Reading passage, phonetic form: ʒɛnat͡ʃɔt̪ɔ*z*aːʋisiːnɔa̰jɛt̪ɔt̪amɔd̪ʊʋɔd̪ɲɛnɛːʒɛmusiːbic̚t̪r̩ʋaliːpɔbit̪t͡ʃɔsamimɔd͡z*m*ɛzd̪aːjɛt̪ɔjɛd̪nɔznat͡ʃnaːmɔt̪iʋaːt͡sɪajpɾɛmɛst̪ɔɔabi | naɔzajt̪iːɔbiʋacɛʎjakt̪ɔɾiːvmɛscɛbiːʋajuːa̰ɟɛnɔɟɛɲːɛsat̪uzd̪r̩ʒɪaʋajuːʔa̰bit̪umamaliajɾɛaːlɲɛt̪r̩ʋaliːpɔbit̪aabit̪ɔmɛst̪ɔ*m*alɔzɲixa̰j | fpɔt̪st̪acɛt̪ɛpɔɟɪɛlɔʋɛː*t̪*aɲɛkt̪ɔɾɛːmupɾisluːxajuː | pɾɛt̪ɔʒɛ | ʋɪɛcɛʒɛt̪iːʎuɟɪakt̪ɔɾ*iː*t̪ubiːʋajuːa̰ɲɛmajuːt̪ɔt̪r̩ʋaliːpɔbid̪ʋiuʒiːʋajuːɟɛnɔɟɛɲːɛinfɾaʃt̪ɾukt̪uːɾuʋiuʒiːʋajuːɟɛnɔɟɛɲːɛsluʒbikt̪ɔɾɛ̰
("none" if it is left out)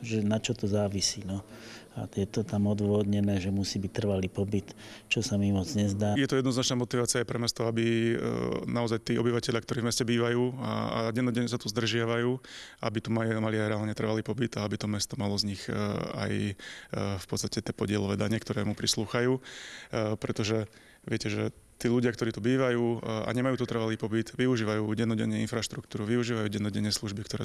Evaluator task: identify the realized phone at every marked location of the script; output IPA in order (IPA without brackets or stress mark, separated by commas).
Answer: z, ɲ, m, d̪, iː